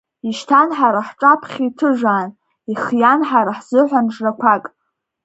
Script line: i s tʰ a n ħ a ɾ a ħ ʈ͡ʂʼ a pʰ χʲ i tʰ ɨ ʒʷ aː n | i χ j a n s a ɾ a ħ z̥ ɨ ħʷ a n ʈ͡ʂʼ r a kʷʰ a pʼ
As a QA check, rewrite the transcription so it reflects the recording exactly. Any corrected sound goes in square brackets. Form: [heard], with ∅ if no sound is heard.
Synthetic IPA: i [ʃ] tʰ a n ħ a ɾ a ħ ʈ͡ʂʼ a pʰ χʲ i tʰ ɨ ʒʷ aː n | i χ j a n [ħ] a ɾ a ħ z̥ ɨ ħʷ a n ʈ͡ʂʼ r a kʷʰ a [kʼ]